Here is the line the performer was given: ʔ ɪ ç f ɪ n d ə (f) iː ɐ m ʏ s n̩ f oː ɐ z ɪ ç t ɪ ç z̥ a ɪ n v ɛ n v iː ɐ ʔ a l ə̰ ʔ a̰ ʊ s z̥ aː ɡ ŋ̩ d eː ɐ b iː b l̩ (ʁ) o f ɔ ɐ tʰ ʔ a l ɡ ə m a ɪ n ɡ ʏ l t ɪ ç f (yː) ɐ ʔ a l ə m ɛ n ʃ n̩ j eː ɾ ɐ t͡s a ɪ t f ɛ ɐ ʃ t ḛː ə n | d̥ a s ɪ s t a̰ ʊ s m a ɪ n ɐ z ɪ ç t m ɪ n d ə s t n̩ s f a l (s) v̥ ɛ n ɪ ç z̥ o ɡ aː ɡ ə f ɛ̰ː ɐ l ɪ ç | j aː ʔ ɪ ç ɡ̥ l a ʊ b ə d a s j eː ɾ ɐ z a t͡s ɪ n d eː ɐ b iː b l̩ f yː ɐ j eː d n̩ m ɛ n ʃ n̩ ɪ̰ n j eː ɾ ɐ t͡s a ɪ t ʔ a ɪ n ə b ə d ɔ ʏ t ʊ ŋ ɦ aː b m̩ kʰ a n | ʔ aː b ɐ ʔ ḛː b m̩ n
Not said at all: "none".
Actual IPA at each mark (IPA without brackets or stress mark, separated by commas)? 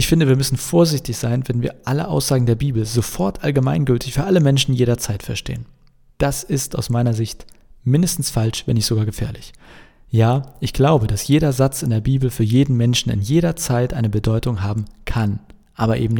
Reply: v, z, yː, ʃ